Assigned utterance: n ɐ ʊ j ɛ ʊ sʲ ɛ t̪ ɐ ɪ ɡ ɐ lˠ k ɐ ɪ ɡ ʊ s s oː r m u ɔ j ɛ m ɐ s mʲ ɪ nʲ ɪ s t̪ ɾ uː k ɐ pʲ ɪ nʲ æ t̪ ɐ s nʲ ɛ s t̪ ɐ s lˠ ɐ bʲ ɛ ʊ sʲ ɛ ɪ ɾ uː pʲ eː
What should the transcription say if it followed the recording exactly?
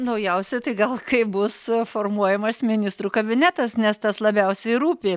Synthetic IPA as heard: n ɐ ʊ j ɛ ʊ sʲ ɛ t̪ ɐ ɪ ɡ ɐ lˠ k ɐ ɪ b ʊ s f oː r m u ɔ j ɛ m ɐ s mʲ ɪ nʲ ɪ s t̪ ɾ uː k ɐ bʲ ɪ nʲ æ t̪ ɐ s nʲ ɛ s t̪ ɐ s lˠ ɐ bʲ ɛ ʊ sʲ ɛ ɪ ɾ uː pʲ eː